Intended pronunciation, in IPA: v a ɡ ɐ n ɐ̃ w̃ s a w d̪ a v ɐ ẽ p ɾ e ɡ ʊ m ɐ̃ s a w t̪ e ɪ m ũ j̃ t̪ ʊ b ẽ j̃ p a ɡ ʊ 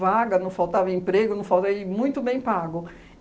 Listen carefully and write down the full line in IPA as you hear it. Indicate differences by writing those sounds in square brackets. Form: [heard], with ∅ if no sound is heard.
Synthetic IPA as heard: v a ɡ ɐ n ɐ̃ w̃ [f] a w [t̪] a v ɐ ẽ p ɾ e ɡ ʊ [n] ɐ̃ [f] a w t̪ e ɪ m ũ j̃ t̪ ʊ b ẽ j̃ p a ɡ ʊ